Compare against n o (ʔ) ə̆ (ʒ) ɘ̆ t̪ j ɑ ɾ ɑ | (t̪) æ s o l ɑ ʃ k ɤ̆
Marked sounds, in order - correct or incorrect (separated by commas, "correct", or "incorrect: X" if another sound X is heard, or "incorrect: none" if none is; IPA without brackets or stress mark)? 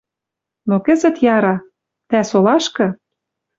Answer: incorrect: k, incorrect: z, correct